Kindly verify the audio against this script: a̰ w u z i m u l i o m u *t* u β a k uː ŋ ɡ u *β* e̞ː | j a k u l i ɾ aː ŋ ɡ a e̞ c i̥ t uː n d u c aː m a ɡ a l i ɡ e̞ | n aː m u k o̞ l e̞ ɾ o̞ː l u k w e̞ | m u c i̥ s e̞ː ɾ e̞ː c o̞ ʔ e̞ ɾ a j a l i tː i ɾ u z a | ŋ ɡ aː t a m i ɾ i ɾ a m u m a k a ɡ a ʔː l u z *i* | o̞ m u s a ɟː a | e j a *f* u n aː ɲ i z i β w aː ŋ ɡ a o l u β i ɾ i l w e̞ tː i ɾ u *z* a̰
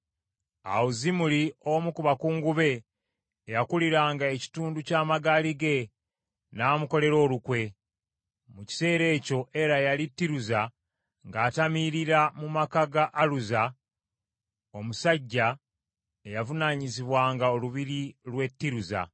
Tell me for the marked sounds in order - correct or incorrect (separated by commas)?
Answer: incorrect, correct, incorrect, incorrect, correct